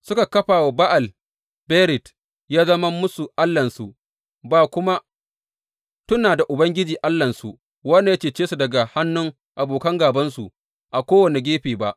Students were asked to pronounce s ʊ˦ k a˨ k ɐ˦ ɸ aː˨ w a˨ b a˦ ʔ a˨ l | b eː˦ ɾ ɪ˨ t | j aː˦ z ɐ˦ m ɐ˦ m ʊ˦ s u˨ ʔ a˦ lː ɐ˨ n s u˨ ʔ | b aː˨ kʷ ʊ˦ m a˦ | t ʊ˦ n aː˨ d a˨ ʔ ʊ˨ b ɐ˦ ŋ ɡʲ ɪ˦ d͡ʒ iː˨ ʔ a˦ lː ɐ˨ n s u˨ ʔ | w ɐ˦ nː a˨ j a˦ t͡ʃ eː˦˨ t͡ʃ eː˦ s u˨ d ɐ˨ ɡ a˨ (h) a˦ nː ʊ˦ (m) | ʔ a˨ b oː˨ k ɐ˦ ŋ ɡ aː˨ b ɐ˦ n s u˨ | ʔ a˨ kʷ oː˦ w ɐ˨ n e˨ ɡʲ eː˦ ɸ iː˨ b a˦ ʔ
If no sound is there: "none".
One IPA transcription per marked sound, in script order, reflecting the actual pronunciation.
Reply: h, ŋ

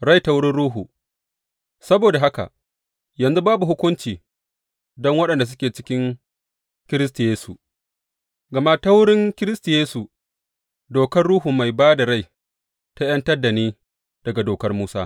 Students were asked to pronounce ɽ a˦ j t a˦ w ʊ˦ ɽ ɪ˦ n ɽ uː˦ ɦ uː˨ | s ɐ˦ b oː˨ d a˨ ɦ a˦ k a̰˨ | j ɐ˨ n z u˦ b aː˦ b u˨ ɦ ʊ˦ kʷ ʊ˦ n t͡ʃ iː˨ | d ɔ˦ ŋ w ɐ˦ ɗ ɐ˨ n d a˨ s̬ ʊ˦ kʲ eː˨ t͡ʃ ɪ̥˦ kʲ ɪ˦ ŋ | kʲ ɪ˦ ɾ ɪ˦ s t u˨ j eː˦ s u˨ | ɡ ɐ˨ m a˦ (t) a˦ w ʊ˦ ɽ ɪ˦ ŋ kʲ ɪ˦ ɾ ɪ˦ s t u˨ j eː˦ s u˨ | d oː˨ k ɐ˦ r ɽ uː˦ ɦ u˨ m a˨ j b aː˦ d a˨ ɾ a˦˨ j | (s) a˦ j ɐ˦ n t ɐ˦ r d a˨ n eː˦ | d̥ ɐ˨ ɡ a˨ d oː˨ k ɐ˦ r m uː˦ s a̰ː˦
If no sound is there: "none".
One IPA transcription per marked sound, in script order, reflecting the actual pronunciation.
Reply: t, t

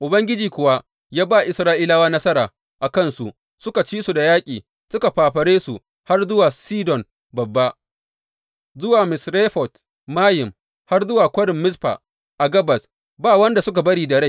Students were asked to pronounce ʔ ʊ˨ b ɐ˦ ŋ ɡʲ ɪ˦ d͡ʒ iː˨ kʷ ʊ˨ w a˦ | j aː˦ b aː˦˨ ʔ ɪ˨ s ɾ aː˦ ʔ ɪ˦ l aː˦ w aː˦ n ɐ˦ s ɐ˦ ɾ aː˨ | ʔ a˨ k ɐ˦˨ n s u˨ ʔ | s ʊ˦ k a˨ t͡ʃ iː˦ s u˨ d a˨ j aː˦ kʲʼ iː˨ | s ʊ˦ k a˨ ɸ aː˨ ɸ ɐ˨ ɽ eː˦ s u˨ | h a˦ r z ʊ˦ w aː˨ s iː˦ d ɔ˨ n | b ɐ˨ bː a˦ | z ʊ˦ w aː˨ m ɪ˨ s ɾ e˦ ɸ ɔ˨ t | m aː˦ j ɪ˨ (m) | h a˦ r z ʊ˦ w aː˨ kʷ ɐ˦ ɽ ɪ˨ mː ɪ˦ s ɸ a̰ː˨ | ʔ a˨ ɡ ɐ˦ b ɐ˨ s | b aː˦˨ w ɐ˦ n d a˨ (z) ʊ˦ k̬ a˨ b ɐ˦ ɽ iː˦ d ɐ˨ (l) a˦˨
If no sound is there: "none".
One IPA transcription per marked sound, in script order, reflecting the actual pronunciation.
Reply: m, s, ɽ

